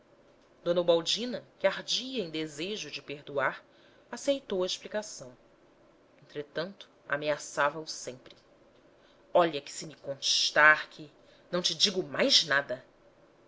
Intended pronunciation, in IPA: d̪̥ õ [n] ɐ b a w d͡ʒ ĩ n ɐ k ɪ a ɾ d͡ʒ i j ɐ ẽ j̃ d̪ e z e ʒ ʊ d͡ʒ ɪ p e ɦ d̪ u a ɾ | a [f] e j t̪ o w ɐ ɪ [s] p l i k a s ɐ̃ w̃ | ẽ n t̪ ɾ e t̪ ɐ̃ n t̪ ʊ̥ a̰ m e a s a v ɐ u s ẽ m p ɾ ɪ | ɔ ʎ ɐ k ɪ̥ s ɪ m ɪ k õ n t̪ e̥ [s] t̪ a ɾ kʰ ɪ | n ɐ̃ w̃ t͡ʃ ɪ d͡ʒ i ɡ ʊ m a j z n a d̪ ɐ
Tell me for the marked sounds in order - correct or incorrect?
correct, incorrect, incorrect, incorrect

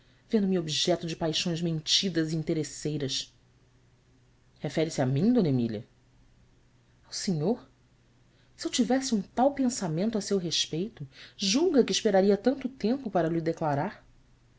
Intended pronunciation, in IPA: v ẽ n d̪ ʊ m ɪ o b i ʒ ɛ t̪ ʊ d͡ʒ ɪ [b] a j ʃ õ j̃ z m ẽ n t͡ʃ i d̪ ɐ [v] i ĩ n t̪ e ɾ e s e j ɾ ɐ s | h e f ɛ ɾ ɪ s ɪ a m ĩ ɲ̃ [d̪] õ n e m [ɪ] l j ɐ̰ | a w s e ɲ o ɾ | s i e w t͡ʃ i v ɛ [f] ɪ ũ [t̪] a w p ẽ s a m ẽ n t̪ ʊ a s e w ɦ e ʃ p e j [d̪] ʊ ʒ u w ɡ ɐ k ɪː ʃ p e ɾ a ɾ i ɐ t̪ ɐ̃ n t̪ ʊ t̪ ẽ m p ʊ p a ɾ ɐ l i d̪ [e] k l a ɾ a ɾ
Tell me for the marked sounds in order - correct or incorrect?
incorrect, incorrect, correct, incorrect, incorrect, correct, incorrect, correct

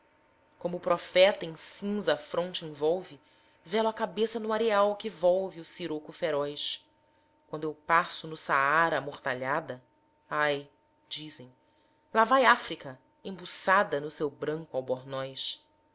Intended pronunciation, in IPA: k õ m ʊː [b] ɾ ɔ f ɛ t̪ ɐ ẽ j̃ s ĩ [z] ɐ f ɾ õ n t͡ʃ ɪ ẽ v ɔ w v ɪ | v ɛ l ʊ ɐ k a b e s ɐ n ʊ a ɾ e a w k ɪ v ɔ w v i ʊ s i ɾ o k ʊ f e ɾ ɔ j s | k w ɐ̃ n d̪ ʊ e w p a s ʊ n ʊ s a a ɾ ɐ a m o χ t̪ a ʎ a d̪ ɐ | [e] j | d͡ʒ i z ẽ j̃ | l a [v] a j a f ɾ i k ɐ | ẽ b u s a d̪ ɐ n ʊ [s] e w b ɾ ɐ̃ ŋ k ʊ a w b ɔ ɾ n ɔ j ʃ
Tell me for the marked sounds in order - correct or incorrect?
incorrect, correct, incorrect, correct, correct

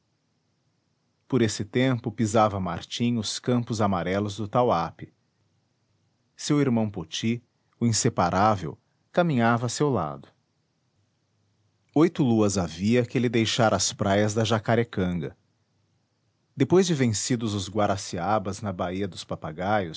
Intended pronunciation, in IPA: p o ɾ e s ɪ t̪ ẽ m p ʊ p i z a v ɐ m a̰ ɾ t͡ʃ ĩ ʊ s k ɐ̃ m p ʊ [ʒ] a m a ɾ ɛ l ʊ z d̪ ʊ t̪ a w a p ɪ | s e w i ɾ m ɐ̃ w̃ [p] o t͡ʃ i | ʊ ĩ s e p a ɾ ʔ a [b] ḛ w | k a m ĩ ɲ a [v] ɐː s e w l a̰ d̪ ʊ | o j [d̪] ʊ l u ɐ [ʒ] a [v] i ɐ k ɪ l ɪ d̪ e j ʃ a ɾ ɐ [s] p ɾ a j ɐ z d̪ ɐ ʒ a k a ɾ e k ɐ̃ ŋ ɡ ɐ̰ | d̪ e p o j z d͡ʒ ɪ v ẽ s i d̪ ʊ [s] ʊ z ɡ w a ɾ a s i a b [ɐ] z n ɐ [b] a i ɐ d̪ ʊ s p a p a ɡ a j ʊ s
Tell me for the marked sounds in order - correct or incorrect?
incorrect, correct, incorrect, correct, incorrect, incorrect, correct, correct, incorrect, correct, correct

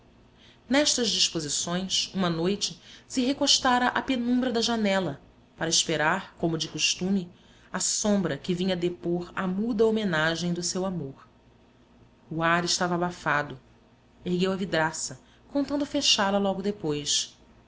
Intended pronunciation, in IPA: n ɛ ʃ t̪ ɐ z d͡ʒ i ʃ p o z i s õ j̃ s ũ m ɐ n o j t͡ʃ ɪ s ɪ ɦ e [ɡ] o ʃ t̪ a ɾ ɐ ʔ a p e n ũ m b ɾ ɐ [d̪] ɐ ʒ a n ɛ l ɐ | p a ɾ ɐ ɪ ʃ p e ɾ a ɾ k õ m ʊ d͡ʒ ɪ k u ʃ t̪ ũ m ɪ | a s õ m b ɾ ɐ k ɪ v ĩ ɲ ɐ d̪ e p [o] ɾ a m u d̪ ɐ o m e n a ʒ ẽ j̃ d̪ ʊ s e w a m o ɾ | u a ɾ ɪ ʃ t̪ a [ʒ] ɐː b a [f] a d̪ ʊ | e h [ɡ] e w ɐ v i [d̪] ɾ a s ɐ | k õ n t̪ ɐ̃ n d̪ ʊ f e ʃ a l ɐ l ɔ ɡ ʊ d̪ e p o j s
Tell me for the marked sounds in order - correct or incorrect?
incorrect, correct, correct, incorrect, correct, correct, correct

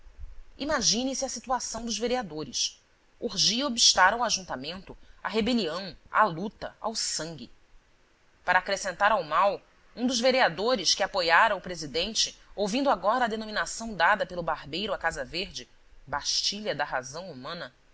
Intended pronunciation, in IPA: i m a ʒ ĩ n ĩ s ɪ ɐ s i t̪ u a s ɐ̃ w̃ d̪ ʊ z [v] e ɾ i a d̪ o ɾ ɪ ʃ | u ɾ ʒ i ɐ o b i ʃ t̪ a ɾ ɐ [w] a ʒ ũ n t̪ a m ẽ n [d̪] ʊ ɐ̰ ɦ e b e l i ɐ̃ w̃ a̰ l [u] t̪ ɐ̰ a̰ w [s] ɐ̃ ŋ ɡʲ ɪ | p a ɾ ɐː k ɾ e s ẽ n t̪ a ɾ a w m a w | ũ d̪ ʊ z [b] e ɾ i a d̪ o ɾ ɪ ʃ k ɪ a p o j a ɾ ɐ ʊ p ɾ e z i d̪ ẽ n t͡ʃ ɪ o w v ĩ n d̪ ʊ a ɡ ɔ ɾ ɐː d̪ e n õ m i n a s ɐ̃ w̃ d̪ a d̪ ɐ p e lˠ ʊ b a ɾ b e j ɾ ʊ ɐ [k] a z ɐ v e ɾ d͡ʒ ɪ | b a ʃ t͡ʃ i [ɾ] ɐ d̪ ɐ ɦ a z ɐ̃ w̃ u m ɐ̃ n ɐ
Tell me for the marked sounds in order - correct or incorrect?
correct, correct, incorrect, correct, correct, incorrect, correct, incorrect

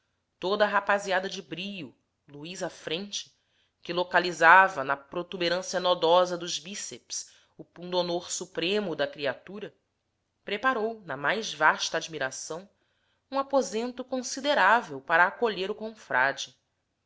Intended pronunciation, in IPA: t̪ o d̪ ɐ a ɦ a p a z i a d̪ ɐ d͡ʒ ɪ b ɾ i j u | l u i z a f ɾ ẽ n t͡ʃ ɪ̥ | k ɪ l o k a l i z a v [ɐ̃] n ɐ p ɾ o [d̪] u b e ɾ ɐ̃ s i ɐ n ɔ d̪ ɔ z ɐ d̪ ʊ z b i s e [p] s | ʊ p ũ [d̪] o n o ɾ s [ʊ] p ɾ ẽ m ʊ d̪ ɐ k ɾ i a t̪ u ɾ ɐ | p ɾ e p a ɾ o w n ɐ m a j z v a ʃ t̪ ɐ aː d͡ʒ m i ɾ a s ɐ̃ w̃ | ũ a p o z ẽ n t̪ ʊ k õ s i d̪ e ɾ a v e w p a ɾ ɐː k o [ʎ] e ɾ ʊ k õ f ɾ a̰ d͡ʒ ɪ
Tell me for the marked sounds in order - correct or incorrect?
incorrect, incorrect, correct, correct, incorrect, correct

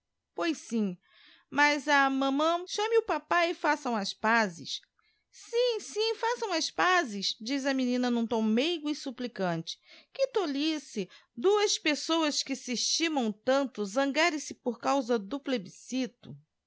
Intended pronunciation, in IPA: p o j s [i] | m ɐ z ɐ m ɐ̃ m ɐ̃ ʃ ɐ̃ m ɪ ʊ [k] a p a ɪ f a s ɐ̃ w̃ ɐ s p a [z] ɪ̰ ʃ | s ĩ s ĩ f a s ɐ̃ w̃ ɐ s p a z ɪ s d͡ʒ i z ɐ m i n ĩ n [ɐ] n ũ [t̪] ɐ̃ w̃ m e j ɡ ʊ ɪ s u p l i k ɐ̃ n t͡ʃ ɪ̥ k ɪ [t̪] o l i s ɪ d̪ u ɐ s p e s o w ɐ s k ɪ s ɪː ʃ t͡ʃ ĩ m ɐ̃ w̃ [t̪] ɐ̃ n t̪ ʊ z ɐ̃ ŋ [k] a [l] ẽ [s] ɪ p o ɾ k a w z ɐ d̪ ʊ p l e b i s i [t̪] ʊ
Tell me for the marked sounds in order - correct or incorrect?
incorrect, incorrect, correct, correct, correct, correct, correct, incorrect, incorrect, correct, correct

